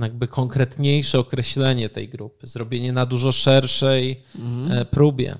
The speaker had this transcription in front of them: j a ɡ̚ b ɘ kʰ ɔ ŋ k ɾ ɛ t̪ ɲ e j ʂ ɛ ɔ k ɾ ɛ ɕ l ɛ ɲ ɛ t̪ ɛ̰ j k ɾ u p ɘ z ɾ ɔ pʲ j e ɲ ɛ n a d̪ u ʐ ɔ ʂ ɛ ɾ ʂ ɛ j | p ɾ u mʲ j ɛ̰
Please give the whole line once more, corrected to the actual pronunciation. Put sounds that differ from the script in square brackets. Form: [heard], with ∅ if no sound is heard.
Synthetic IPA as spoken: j a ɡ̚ b ɘ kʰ ɔ ŋ k ɾ ɛ t̪ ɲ e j ʂ ɛ ɔ k ɾ ɛ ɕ l ɛ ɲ ɛ t̪ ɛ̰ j [ɡ] ɾ u p ɘ z ɾ ɔ [bʲ] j e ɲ ɛ n a d̪ u ʐ ɔ ʂ ɛ ɾ ʂ ɛ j | p ɾ u [bʲ] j ɛ̰